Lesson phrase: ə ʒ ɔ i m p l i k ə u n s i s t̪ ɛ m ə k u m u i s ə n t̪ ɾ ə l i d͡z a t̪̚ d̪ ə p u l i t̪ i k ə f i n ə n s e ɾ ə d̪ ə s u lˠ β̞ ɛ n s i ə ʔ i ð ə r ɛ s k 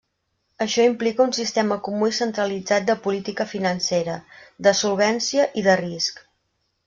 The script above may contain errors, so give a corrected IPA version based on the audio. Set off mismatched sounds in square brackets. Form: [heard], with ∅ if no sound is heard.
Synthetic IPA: ə [ʃ] ɔ i m p l i k ə u n s i s t̪ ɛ m ə k u m u i s ə n t̪ ɾ ə l i d͡z a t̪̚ d̪ ə p u l i t̪ i k ə f i n ə n s e ɾ ə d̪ ə s u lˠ β̞ ɛ n s i ə ʔ i ð ə r [i] s k